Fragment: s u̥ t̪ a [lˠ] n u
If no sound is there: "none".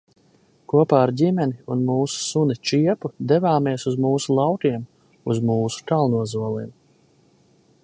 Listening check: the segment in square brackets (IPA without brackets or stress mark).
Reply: lˠ